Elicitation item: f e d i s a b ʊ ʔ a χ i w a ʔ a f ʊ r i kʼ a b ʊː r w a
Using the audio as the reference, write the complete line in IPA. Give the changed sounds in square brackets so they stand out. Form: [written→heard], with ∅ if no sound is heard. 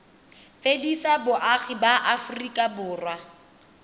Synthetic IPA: f e d i s a b ʊ ʔ a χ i [w→b] a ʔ a f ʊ r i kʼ a b ʊː r w a